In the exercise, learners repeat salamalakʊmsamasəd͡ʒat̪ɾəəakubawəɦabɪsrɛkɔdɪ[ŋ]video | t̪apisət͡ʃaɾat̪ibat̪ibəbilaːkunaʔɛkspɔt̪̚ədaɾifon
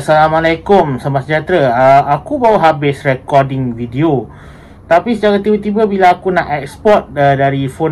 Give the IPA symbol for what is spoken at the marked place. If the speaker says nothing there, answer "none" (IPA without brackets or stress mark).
ŋ